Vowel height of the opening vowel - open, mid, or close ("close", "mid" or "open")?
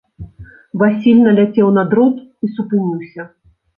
open